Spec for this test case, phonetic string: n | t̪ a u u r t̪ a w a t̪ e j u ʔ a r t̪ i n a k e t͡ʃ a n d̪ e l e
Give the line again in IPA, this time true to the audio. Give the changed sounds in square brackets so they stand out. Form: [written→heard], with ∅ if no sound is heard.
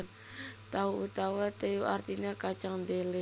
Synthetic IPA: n | t̪ a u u [r→∅] t̪ a w a t̪ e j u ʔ a r t̪ i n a k [e→a] t͡ʃ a [n→ŋ] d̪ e l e